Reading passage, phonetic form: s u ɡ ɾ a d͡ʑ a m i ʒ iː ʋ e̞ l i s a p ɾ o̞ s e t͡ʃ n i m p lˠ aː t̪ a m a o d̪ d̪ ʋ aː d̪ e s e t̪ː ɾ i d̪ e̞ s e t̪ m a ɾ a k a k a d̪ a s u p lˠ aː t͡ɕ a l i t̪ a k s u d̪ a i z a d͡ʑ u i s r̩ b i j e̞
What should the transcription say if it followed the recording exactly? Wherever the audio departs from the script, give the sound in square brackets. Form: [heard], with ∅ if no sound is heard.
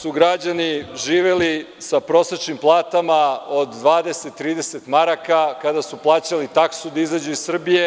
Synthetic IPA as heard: s u ɡ ɾ a d͡ʑ a [n] i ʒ iː ʋ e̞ l i s a p ɾ o̞ s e t͡ʃ n i m p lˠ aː t̪ a m a o d̪ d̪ ʋ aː d̪ e s e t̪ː ɾ [iː] d̪ e̞ s e t̪ m a ɾ a k a k a d̪ a s u p lˠ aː t͡ɕ a l i t̪ a k s u d̪ a i z a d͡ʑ u i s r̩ b i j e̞

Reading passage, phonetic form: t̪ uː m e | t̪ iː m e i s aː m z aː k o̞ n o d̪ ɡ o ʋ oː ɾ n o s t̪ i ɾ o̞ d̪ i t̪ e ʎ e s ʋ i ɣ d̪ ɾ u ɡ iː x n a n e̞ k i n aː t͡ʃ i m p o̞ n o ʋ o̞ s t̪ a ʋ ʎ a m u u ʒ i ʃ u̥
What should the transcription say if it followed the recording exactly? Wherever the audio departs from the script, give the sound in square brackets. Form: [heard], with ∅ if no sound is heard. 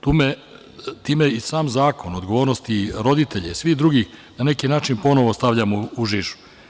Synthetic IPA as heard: t̪ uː m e | t̪ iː m e i s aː m z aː k o̞ n o d̪ ɡ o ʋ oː ɾ n o s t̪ i ɾ o̞ d̪ i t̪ e ʎ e s ʋ i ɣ d̪ ɾ u ɡ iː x n a n e̞ k i n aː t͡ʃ i [n] p o̞ n o ʋ o̞ s t̪ a ʋ ʎ a m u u ʒ i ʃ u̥

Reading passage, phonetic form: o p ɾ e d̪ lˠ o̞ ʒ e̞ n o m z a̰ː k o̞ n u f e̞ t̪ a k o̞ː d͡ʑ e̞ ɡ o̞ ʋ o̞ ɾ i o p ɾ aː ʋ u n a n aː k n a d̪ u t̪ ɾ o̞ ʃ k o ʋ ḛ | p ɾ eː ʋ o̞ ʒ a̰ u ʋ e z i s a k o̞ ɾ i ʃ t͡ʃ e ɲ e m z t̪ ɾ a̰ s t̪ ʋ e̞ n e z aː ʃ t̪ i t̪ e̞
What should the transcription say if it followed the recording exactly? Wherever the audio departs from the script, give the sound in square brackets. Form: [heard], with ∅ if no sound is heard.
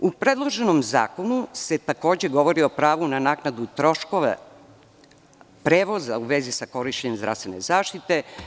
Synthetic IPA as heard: [u] p ɾ e d̪ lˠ o̞ ʒ e̞ n o m z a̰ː k o̞ n u [s] e̞ t̪ a k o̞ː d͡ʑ e̞ ɡ o̞ ʋ o̞ ɾ i o p ɾ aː ʋ u n a n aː k n a d̪ u t̪ ɾ o̞ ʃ k o ʋ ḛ | p ɾ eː ʋ o̞ [z] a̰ u ʋ e z i s a k o̞ ɾ i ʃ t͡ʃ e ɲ e m z [d̪] ɾ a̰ s t̪ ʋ e̞ n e z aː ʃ t̪ i t̪ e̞

